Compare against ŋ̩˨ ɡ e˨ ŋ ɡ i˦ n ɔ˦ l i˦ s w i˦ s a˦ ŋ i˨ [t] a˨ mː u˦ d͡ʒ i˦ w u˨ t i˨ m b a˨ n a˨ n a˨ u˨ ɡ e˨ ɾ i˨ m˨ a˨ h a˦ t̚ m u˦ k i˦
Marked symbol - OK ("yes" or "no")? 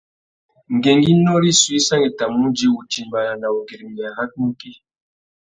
yes